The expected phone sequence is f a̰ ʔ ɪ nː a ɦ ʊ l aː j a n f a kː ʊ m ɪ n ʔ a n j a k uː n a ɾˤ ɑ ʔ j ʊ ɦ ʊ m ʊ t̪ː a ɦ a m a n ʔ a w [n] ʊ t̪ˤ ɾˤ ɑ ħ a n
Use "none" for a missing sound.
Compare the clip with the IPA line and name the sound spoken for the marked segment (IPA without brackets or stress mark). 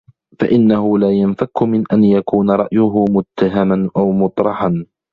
m